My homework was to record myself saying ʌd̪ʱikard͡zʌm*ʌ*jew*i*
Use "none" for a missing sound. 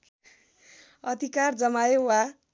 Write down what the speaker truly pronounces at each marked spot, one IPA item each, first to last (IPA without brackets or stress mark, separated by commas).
a, a